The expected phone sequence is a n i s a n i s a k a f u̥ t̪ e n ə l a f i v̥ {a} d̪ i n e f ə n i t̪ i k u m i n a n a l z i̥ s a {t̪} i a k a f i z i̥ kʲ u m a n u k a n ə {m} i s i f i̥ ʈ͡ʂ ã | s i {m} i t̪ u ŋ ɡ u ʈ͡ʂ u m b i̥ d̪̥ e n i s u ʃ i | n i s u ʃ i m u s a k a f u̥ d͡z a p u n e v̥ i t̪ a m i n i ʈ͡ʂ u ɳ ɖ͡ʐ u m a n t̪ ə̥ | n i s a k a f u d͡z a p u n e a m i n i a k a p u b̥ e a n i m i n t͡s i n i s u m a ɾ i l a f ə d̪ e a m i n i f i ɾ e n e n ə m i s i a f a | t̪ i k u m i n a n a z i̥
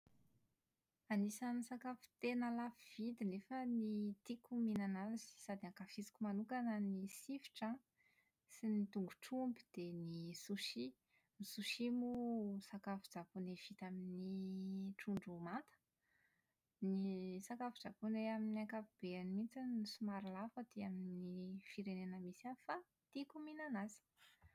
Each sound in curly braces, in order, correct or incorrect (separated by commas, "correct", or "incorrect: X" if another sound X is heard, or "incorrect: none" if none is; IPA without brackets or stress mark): incorrect: i, incorrect: d̪, incorrect: n, incorrect: n